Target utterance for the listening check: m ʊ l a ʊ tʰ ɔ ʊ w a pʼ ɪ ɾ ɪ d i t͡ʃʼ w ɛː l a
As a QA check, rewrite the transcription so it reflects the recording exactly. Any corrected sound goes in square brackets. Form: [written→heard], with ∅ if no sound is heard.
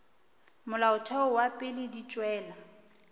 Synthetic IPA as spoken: m ʊ l a ʊ tʰ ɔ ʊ w a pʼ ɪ [ɾ→l] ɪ d i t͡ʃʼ w ɛː l a